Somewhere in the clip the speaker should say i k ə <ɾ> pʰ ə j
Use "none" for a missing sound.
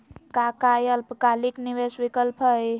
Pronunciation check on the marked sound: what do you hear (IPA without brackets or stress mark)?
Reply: l